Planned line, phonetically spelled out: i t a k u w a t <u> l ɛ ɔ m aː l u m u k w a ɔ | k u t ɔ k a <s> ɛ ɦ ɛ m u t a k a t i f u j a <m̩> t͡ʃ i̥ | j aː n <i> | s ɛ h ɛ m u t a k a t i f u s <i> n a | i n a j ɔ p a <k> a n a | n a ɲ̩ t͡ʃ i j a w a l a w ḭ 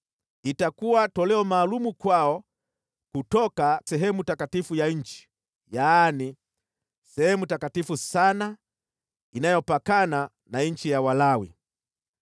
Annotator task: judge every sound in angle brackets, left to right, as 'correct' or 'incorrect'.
incorrect, correct, incorrect, correct, incorrect, correct

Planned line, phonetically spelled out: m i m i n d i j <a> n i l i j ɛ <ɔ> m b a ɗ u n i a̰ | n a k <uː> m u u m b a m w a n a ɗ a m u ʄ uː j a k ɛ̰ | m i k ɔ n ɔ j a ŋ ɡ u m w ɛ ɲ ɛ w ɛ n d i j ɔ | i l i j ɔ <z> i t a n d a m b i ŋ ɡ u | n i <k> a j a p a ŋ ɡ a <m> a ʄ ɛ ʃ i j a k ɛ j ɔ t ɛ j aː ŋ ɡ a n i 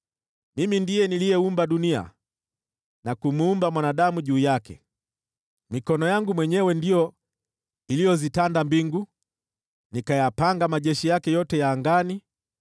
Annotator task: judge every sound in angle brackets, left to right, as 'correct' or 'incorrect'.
incorrect, incorrect, incorrect, correct, correct, correct

